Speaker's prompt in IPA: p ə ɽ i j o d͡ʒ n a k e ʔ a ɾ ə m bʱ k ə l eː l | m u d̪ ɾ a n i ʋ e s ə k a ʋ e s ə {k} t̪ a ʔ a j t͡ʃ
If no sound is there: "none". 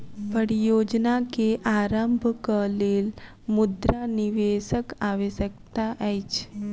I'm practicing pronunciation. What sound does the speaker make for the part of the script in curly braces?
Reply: k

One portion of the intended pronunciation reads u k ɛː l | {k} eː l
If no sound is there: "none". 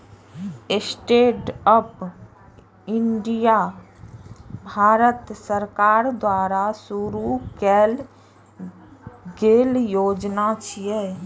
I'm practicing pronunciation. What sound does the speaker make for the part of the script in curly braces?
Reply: ɡ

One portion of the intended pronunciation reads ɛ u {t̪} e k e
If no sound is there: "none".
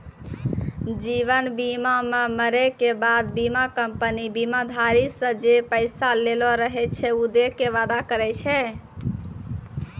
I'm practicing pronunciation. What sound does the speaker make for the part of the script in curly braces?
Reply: d̪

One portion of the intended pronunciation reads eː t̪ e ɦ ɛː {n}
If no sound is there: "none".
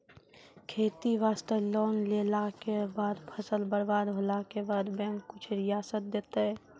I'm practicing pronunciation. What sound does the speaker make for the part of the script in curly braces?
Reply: none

